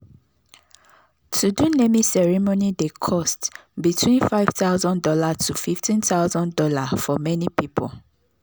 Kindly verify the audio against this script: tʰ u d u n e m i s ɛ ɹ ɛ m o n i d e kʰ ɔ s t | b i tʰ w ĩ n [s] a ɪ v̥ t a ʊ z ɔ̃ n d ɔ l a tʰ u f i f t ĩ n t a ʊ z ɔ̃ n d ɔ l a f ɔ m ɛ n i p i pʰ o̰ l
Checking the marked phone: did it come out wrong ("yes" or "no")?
yes